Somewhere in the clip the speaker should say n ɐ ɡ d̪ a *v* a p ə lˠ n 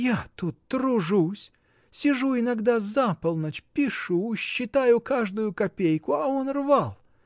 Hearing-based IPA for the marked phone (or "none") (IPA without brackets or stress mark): z